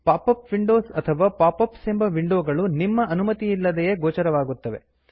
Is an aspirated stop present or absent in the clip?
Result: present